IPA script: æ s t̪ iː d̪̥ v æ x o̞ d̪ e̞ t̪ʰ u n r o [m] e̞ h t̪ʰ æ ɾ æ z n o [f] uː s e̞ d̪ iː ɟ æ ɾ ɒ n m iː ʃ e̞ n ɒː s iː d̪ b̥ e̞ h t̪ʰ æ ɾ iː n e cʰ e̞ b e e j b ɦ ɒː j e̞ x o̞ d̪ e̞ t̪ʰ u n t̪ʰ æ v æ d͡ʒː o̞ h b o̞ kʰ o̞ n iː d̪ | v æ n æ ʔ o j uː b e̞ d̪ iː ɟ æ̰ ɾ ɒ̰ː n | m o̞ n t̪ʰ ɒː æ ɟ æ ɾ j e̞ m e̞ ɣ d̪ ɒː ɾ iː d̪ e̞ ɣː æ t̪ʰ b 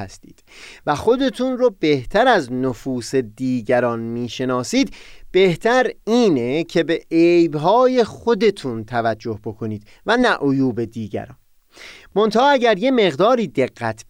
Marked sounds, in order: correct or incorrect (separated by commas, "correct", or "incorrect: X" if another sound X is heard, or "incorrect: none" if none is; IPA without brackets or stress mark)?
incorrect: b, correct